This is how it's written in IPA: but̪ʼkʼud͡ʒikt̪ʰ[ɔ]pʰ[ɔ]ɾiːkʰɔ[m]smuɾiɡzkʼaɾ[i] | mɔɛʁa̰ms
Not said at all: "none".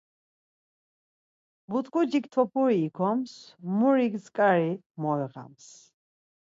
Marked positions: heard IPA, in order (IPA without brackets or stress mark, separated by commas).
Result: ɔ, u, m, i